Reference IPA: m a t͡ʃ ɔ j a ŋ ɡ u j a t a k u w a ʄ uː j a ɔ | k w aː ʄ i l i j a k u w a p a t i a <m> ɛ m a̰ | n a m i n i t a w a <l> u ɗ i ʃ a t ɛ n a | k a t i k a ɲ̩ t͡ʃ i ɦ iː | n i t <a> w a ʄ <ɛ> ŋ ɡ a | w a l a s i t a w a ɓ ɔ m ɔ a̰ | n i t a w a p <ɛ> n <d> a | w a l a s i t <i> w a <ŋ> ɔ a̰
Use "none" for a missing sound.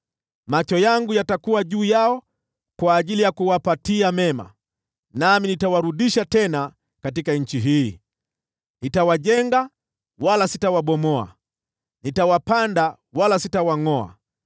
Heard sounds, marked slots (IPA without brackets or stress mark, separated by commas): m, ɾ, a, ɛ, a, d, a, ŋ